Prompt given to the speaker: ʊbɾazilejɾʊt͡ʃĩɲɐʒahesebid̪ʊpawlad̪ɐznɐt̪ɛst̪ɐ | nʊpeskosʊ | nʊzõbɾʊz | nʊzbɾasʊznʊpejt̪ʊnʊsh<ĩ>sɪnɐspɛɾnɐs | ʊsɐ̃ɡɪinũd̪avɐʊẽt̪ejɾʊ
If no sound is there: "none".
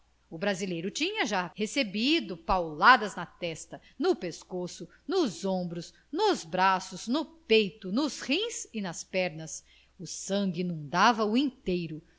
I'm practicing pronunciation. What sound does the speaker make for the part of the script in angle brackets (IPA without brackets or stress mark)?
ĩ